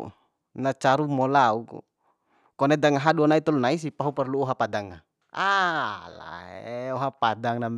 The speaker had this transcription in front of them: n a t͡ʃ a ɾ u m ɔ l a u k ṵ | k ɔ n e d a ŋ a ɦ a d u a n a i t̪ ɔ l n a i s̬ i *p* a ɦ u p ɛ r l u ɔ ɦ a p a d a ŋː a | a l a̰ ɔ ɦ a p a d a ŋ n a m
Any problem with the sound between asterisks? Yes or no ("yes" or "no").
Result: no